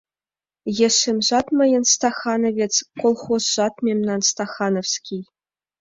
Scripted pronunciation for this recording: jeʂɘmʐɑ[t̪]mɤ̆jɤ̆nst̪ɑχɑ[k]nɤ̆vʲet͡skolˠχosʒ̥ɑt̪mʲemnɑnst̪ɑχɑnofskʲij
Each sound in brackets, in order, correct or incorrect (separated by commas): correct, incorrect